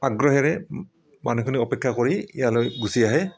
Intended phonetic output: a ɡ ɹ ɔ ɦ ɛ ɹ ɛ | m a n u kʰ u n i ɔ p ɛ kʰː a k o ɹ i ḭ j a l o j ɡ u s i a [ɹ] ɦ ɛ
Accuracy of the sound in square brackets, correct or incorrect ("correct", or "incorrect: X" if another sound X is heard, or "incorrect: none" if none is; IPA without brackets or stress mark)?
incorrect: none